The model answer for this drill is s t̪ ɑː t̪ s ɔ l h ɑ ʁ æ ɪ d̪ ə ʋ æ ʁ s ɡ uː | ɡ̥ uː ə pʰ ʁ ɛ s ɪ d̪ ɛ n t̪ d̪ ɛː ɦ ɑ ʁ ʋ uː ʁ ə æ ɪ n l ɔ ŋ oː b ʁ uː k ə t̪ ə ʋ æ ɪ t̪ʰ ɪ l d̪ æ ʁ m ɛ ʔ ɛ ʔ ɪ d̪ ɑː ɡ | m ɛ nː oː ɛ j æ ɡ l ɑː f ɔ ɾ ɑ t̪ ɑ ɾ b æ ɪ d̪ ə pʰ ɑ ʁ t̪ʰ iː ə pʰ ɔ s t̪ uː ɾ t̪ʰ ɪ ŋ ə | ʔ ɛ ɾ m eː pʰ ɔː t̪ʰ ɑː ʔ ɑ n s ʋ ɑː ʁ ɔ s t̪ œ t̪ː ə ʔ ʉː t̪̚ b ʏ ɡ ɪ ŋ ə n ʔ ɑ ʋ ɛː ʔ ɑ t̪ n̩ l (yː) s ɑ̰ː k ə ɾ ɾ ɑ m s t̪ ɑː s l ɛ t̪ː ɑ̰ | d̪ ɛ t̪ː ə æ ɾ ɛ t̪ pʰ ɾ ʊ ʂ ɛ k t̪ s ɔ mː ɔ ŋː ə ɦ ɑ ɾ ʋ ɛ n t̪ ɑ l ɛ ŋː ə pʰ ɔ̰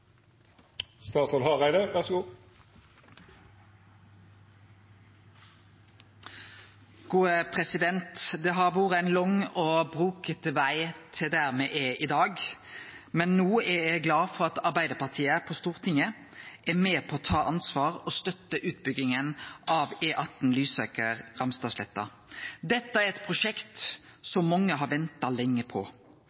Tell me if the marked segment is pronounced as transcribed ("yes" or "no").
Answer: yes